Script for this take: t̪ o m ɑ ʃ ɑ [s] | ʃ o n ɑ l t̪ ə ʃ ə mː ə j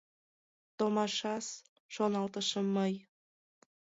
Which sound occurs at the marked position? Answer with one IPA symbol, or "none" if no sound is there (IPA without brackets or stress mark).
s